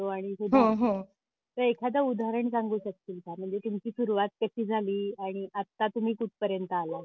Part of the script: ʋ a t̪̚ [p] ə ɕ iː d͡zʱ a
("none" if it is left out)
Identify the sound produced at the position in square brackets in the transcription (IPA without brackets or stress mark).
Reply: k